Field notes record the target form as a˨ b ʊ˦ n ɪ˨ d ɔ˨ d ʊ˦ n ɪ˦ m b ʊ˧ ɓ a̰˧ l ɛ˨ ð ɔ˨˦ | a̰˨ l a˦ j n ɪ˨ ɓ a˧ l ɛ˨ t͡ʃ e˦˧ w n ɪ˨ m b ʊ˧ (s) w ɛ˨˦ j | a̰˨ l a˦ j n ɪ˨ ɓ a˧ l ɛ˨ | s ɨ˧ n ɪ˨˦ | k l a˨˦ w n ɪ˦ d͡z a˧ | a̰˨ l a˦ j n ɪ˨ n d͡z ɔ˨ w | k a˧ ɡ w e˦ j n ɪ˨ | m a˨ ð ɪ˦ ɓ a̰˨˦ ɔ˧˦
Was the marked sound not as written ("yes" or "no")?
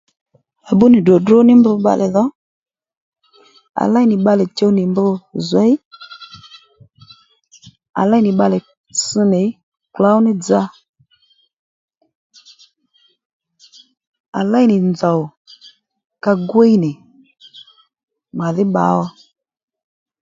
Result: yes